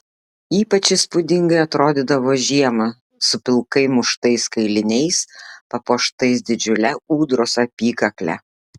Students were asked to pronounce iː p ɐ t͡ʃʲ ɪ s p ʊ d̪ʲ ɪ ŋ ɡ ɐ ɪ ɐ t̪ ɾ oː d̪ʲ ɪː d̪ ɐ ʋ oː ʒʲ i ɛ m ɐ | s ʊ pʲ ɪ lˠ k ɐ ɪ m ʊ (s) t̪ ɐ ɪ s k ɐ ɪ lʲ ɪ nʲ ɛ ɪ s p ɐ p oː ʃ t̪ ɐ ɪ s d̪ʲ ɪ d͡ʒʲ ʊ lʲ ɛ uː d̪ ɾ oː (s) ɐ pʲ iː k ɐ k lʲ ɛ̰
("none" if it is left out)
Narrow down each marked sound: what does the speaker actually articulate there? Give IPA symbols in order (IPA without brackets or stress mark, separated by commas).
ʃ, s